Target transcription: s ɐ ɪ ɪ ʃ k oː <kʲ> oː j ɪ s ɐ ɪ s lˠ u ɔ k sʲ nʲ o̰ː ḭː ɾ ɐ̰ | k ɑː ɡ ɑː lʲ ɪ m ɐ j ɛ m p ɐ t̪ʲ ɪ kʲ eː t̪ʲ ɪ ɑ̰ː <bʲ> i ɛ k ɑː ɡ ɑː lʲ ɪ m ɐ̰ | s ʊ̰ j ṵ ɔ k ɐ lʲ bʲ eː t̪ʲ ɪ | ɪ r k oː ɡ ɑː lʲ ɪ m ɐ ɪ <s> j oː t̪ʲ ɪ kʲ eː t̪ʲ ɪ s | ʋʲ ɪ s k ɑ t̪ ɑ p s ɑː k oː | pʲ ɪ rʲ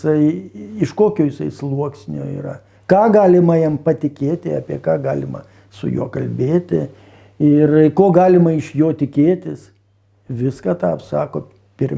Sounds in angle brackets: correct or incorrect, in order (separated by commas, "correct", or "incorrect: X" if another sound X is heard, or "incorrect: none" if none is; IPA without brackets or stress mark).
correct, incorrect: pʲ, incorrect: ʃ